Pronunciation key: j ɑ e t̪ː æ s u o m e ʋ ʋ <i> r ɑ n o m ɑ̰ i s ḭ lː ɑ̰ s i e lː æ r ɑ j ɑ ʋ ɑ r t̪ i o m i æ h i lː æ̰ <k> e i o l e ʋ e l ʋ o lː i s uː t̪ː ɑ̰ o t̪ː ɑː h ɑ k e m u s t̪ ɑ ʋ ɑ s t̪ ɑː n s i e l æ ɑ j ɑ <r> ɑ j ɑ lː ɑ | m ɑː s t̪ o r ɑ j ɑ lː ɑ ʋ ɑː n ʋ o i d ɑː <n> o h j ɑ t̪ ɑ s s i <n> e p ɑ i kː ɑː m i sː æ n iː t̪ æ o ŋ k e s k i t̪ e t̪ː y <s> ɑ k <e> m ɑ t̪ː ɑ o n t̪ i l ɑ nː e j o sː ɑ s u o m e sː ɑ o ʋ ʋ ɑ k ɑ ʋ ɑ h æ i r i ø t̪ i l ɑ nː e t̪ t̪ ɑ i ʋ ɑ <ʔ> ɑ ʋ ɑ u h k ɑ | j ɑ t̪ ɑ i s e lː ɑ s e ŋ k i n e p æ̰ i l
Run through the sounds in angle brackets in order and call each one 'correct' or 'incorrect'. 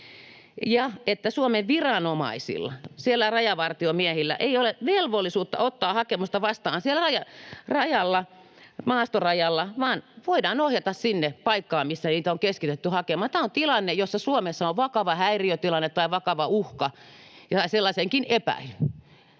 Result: correct, incorrect: ʔ, correct, correct, incorrect: nː, incorrect: h, correct, incorrect: k

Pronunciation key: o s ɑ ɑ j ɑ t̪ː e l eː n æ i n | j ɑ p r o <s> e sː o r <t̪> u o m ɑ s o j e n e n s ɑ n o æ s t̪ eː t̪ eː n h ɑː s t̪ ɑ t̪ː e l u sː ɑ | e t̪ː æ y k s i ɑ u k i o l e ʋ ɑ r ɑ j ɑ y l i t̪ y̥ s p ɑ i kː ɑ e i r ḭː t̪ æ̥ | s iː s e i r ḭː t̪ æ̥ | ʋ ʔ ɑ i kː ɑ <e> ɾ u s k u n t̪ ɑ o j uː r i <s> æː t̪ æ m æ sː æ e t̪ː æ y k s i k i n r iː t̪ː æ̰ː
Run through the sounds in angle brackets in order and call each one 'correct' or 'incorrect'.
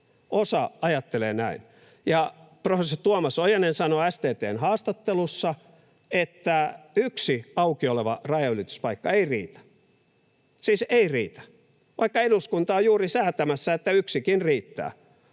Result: incorrect: f, correct, correct, correct

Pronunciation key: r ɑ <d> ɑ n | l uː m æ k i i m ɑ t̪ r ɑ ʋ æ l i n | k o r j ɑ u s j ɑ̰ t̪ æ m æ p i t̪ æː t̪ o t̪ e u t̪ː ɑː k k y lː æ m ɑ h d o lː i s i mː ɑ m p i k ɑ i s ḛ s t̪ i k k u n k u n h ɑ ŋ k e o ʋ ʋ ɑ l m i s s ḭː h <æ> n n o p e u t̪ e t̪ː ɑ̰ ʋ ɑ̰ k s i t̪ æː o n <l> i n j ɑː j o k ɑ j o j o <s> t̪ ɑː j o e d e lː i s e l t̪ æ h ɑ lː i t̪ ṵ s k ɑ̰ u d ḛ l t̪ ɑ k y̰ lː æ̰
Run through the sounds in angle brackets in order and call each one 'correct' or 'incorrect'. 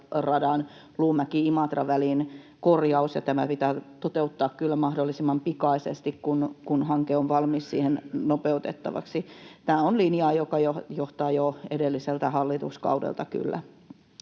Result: correct, incorrect: e, correct, incorrect: h

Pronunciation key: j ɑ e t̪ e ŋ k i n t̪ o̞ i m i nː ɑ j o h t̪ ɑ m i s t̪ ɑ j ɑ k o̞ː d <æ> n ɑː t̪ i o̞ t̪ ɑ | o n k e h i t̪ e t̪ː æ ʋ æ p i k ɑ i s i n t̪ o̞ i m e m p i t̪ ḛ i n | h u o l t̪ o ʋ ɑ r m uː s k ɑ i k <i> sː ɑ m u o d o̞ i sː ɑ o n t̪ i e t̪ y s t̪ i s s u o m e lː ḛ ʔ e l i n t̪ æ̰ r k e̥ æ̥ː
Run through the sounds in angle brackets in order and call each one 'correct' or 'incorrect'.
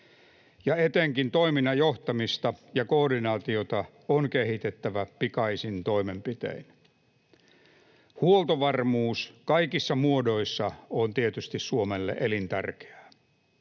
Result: incorrect: i, correct

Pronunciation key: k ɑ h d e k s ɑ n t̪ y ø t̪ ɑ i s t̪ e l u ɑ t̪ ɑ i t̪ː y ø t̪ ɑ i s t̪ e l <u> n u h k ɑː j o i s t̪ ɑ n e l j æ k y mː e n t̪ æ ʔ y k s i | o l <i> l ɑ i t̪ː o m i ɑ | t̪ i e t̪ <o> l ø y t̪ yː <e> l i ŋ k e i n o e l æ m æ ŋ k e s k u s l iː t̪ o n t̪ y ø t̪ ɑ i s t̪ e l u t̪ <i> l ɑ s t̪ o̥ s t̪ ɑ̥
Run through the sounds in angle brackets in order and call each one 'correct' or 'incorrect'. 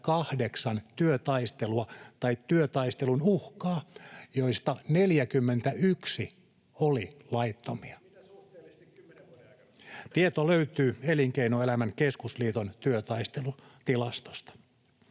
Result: correct, correct, correct, correct, correct

